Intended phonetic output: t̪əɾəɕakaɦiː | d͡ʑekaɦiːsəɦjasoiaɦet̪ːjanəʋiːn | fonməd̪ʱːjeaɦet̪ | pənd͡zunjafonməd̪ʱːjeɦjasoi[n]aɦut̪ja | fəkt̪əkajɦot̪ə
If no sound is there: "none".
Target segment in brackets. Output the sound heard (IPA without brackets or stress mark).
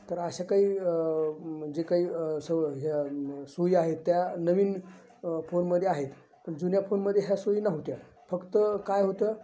n